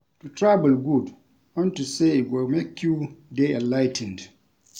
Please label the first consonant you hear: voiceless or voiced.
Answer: voiceless